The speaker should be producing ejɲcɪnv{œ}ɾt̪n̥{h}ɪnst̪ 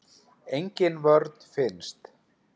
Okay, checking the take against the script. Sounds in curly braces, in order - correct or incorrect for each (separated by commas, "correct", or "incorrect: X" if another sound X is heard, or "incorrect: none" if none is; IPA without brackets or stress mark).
correct, incorrect: f